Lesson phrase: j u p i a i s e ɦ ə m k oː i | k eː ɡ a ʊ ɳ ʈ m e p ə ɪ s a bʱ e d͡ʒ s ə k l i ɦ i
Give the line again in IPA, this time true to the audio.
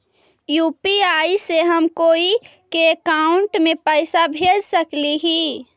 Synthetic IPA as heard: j u p i a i s e ɦ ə m k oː i | k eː k a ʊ ɳ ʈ m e p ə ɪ s a bʱ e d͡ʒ s ə k l i ɦ i